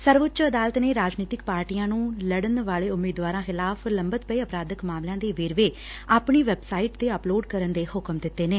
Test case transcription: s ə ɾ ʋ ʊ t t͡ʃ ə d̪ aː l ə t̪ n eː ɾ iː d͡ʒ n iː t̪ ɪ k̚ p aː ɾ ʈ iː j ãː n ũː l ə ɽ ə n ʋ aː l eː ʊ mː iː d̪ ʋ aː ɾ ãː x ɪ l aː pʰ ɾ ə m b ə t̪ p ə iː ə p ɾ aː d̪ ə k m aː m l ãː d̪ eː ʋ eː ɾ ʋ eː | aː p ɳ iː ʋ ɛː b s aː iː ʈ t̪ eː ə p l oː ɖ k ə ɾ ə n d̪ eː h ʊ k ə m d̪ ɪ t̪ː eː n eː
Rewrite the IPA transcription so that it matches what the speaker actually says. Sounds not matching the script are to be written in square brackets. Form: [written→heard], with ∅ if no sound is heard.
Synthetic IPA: s ə ɾ ʋ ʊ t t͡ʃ ə d̪ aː l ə t̪ n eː ɾ [iː→aː] d͡ʒ n iː t̪ ɪ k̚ p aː ɾ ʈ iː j ãː n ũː l ə ɽ ə n ʋ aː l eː ʊ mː iː d̪ ʋ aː ɾ ãː x ɪ l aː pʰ [ɾ→l] ə m b ə t̪ p ə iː ə p ɾ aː d̪ ə k m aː m l ãː d̪ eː ʋ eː ɾ ʋ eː | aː p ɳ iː ʋ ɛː b s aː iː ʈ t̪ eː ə p l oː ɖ k ə ɾ ə n d̪ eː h ʊ k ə m d̪ ɪ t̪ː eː n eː